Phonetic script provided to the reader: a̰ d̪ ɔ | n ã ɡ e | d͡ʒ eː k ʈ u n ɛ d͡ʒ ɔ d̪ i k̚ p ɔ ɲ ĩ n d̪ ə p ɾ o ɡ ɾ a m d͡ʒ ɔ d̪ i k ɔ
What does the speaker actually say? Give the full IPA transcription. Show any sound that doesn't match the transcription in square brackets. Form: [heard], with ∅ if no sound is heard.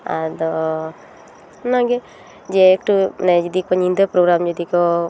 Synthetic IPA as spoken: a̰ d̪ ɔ | n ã ɡ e | d͡ʒ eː k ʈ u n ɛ d͡ʒ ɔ d̪ i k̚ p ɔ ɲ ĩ n d̪ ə p ɾ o ɡ ɾ a m d͡ʒ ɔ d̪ i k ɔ

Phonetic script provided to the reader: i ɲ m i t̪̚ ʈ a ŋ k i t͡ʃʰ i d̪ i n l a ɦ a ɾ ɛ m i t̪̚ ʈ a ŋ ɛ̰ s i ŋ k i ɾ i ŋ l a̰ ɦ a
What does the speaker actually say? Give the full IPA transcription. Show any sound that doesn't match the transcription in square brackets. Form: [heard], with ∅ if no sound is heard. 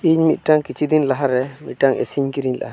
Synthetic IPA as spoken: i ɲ m i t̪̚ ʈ a ŋ k i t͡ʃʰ i d̪ i n l a ɦ a ɾ ɛ m i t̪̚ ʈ a ŋ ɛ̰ s i [ɲ] k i ɾ i [ɲ] l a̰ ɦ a

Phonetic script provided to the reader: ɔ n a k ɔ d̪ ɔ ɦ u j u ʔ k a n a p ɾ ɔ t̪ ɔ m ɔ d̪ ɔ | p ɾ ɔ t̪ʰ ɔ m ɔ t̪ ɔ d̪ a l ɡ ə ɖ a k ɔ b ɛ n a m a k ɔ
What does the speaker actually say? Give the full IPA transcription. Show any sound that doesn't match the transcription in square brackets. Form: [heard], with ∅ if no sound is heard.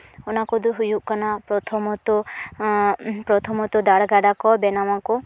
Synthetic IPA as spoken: ɔ n a k ɔ d̪ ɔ ɦ u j u ʔ k a n a p ɾ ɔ [t̪ʰ] ɔ m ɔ [t̪] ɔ | p ɾ ɔ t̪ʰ ɔ m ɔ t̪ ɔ d̪ a [ɽ] ɡ [a] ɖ a k ɔ b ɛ n a m a k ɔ

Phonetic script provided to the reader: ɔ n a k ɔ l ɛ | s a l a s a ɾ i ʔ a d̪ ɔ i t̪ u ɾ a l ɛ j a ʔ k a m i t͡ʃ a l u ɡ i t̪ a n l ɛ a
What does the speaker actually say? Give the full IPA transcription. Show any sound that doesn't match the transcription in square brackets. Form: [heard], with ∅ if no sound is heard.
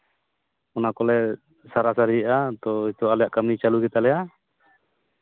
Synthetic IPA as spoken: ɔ n a k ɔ l ɛ | s a [ɾ] a s a ɾ i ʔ a [t̪] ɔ i t̪ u [∅] a l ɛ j a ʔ k a m i t͡ʃ a l u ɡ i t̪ a [∅] l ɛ a

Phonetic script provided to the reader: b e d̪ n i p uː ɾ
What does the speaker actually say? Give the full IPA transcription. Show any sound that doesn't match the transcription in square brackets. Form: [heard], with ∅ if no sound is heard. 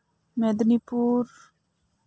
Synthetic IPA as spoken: [m] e d̪ n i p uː ɾ

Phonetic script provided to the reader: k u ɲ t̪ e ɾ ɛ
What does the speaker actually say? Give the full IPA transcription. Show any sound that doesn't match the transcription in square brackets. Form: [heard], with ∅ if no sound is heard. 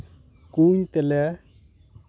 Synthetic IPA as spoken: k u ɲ t̪ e [l] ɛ

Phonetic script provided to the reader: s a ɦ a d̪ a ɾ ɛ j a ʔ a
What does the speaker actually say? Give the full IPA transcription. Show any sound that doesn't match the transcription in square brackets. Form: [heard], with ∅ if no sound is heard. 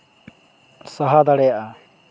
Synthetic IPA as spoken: s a ɦ a d̪ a [ɽ] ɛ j a ʔ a

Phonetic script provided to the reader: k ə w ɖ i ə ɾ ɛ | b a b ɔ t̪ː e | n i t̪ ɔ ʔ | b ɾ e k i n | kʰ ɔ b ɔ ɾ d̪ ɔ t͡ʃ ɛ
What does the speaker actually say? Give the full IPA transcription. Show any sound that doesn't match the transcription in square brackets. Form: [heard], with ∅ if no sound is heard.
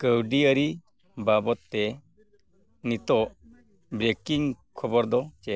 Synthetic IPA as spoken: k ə w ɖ i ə ɾ [i] | b a b ɔ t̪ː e | n i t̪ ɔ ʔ | b ɾ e k i [ŋ] | kʰ ɔ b ɔ ɾ d̪ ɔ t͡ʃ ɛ

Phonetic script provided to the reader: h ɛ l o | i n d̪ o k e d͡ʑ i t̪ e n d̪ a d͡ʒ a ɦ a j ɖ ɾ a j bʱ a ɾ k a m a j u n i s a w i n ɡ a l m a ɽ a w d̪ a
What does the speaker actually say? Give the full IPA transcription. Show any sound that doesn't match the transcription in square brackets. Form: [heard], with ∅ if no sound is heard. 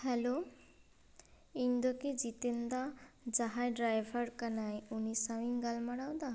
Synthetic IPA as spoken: h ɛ l o | i n d̪ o k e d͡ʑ i t̪ e n d̪ a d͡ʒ a ɦ a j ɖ ɾ a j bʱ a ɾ k a [n] a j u n i s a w i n ɡ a l m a ɽ a w d̪ a

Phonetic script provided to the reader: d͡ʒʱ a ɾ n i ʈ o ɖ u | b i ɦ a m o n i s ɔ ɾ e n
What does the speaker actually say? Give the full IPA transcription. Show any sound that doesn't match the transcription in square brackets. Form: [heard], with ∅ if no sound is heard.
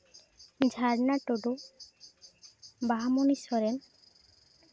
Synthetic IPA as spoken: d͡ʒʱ a ɾ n [a] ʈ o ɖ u | b [a] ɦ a m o n i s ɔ ɾ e n

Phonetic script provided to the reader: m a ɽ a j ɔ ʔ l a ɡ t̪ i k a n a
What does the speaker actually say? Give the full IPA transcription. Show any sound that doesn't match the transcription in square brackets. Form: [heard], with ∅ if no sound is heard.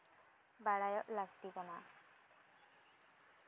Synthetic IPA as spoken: [b] a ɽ a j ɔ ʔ l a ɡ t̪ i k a n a

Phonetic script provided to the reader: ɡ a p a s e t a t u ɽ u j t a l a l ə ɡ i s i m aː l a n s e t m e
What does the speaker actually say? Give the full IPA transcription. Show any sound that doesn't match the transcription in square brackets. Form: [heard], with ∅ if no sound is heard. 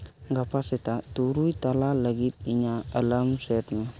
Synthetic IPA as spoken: ɡ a p a s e t a t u [ɾ] u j t a l a l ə ɡ i [t] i [ɲ] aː l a [m] s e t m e

